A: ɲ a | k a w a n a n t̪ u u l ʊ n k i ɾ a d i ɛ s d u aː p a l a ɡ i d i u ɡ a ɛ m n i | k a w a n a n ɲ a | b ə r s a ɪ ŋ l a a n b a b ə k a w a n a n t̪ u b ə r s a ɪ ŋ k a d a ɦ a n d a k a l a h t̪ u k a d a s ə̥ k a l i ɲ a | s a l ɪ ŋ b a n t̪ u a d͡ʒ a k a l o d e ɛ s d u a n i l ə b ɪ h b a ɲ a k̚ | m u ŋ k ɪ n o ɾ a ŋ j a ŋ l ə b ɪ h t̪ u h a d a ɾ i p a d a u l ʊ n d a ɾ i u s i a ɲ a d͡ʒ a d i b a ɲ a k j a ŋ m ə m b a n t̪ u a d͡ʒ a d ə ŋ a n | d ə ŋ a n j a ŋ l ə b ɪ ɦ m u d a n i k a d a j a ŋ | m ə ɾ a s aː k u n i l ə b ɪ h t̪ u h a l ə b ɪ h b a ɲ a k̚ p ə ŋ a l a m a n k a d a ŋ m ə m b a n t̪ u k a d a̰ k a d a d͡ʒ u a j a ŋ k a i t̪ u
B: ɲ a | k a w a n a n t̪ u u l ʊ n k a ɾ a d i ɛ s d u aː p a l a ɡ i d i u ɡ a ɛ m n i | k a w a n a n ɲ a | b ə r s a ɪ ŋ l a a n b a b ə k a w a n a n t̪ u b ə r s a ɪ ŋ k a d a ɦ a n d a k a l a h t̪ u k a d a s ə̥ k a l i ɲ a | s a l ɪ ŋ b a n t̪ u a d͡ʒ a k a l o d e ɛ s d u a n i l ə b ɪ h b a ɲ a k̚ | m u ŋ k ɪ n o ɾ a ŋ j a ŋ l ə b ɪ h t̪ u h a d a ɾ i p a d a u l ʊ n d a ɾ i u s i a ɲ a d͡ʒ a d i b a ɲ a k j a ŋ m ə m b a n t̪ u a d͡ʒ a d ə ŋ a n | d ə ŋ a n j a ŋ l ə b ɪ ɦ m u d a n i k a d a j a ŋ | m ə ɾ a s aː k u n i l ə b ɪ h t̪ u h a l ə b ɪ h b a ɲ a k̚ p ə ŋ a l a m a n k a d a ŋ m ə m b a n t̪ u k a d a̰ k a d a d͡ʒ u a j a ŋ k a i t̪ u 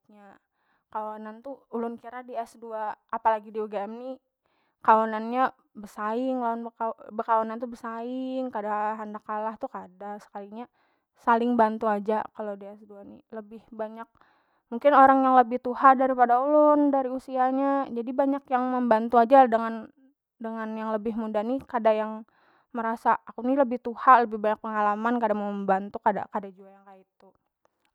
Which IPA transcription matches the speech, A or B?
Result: A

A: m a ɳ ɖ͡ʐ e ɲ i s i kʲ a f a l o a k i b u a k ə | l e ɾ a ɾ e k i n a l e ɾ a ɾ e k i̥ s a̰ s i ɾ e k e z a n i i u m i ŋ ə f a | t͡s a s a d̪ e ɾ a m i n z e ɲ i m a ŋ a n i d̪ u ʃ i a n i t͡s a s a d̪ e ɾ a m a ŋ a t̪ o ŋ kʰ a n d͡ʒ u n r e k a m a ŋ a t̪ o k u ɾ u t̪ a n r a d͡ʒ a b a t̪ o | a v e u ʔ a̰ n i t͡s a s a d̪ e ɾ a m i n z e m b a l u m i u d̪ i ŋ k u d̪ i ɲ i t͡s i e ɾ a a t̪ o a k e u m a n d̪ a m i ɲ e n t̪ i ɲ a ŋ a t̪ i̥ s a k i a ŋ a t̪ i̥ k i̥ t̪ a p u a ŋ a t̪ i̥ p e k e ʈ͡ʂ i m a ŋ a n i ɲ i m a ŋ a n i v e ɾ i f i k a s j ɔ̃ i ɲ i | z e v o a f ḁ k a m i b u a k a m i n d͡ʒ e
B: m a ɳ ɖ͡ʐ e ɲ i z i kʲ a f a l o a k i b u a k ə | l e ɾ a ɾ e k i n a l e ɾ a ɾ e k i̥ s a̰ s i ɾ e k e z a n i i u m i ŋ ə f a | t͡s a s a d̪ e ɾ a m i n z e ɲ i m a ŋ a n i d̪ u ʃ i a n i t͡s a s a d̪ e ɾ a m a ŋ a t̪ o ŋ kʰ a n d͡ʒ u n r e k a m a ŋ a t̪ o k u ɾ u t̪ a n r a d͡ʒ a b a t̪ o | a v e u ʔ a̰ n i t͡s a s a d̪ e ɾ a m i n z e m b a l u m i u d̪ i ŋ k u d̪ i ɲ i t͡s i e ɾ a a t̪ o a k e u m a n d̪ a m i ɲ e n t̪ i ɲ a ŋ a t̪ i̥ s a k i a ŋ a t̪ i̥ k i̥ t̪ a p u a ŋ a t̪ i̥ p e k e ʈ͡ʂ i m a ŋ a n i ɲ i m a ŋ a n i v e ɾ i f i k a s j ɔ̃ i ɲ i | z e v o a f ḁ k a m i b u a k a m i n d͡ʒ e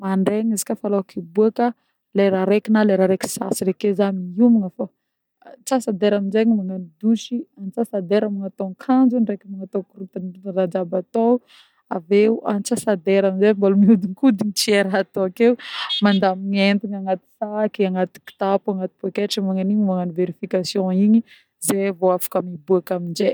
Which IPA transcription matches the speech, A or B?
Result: B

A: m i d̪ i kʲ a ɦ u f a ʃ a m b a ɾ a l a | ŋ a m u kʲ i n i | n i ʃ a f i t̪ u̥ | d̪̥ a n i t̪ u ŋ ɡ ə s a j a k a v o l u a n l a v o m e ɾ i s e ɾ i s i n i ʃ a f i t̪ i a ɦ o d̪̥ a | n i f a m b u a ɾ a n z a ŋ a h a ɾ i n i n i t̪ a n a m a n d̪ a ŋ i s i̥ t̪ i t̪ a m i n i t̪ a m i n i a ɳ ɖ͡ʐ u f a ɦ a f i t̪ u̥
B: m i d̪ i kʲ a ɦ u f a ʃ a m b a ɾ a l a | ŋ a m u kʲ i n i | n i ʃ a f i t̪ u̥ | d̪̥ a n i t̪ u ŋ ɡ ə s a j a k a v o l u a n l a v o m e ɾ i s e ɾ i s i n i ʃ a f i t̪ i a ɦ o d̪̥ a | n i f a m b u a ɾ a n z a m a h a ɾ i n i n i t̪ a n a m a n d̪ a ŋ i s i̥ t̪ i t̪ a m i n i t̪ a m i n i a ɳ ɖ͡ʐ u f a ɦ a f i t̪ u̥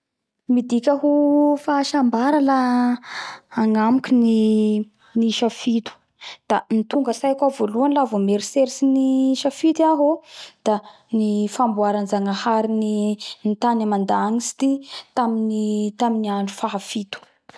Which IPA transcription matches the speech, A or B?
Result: A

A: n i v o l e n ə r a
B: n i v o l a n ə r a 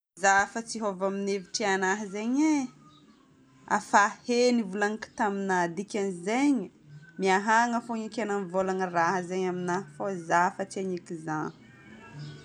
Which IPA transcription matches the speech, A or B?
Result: B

